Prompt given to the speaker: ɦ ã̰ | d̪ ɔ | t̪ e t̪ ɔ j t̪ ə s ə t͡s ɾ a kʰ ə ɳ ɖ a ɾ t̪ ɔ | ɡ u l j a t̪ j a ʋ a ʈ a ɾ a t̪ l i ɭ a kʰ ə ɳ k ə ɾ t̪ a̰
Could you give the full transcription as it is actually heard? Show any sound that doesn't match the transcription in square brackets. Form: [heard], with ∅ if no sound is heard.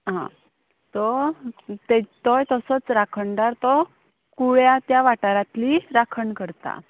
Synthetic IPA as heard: ɦ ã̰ | [t̪] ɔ | t̪ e t̪ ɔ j t̪ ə s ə t͡s ɾ a kʰ ə ɳ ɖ a ɾ t̪ ɔ | [k] u [ɭ] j a t̪ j a ʋ a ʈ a ɾ a t̪ l i [ɾ] a kʰ ə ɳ k ə ɾ t̪ a̰